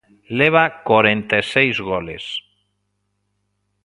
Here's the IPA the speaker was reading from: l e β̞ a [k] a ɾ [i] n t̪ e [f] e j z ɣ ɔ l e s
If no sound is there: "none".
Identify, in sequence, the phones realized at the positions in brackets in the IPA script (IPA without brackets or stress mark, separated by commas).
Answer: k, e, s